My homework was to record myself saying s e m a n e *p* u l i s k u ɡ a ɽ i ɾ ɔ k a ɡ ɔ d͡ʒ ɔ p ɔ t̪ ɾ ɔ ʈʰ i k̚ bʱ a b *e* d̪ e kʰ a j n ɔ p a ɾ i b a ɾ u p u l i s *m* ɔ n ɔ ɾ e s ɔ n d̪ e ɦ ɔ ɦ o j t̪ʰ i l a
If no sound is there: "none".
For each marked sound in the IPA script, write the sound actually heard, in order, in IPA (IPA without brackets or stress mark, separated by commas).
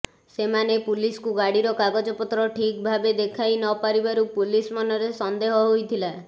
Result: p, e, m